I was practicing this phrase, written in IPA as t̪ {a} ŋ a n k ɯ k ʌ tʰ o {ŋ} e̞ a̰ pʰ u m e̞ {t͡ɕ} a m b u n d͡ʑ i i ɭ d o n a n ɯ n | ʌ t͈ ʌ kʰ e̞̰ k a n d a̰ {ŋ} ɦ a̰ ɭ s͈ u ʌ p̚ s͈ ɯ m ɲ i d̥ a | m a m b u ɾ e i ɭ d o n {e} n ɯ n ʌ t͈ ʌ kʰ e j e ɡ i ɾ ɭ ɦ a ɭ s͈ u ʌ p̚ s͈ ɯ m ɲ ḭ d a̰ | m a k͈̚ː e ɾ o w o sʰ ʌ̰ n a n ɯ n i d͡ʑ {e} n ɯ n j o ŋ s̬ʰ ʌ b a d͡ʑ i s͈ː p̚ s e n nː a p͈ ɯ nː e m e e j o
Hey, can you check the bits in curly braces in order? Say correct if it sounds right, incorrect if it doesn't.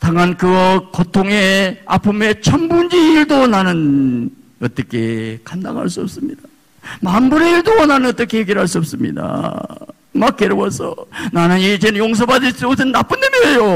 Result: correct, correct, incorrect: t͡ɕʰ, correct, incorrect: a, correct

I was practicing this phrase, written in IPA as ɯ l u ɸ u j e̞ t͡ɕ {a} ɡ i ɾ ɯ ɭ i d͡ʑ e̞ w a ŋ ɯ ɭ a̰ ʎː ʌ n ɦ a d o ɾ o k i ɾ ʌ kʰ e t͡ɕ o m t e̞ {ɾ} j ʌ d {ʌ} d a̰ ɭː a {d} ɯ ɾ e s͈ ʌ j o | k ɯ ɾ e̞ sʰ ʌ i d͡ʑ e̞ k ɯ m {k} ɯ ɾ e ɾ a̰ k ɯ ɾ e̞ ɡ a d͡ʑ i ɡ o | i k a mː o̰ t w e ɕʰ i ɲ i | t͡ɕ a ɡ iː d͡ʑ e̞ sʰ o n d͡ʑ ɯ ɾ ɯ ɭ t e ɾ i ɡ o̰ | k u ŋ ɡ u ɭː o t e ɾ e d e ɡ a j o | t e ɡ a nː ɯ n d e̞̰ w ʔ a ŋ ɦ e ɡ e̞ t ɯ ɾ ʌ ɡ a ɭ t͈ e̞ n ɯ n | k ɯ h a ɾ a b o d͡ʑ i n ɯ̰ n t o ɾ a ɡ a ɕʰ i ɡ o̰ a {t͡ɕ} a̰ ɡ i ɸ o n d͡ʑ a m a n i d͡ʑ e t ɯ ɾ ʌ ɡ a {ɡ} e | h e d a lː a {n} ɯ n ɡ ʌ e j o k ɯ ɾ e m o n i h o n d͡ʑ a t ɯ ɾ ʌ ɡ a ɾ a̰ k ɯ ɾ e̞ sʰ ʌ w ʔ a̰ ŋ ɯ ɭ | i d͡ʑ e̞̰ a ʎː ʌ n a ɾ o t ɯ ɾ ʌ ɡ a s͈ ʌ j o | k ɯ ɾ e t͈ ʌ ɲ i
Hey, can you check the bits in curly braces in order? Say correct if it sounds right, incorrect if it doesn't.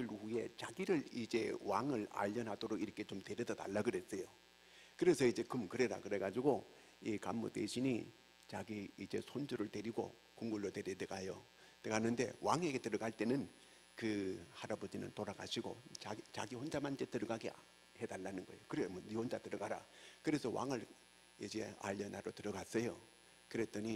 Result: correct, correct, correct, incorrect: ɡ, correct, correct, correct, correct

